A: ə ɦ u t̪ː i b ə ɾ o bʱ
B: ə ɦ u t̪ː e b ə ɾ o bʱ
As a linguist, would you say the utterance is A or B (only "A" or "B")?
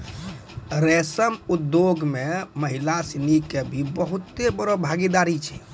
B